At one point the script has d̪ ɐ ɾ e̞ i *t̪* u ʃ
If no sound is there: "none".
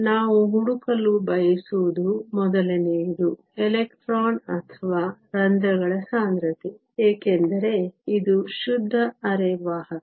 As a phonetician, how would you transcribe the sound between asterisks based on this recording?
d̪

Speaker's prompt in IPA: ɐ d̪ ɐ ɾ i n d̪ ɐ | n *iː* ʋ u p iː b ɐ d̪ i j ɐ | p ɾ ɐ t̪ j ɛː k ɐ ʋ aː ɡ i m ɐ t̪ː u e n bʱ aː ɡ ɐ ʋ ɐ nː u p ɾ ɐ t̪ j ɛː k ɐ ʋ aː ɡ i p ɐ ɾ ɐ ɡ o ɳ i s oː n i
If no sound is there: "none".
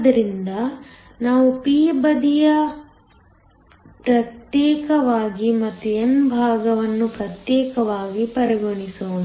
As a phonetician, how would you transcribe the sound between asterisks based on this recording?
aː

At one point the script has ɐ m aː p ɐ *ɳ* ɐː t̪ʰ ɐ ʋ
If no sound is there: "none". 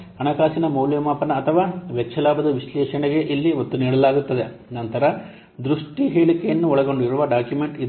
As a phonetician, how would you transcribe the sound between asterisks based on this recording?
n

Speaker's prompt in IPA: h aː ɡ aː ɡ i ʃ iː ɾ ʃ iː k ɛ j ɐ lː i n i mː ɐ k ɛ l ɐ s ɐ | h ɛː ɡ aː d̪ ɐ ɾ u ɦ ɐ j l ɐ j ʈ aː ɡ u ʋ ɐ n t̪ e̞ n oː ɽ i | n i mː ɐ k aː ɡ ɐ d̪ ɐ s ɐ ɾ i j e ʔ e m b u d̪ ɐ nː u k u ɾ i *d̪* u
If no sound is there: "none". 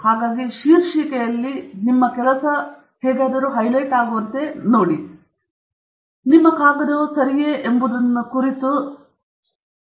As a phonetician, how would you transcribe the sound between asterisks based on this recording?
t̪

